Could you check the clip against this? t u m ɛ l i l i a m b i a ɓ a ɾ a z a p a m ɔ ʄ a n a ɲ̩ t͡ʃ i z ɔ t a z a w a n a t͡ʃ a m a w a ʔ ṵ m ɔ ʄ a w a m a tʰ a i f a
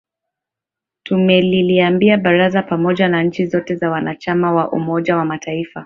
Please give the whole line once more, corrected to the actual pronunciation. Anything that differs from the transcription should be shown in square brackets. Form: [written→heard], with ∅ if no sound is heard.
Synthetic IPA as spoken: t u m ɛ l i l i a m b i a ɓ a ɾ a z a p a m ɔ ʄ a n a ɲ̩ t͡ʃ i z ɔ t [a→ɛ] z a w a n a t͡ʃ a m a w a ʔ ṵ m ɔ ʄ a w a m a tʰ a i f a